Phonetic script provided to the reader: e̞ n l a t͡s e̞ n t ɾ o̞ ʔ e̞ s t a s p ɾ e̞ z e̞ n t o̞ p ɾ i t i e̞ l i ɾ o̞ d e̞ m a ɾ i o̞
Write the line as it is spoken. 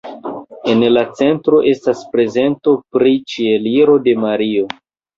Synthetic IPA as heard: e̞ n l a t͡s e̞ n t ɾ o̞ ʔ e̞ s t a s p ɾ e̞ z e̞ n t o̞ p ɾ i t͡ʃ i e̞ l i ɾ o̞ d e̞ m a ɾ i o̞